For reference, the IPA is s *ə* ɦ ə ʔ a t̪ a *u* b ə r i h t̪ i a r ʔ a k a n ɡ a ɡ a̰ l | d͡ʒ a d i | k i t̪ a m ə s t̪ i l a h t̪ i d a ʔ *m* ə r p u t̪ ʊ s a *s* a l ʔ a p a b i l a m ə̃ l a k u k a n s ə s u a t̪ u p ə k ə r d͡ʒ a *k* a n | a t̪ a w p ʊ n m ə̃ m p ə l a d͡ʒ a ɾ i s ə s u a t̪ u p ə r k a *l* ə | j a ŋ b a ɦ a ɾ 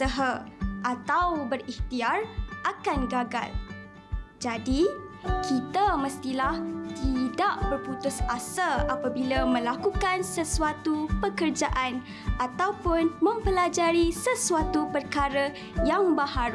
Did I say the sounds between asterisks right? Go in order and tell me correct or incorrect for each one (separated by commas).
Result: correct, incorrect, incorrect, correct, incorrect, incorrect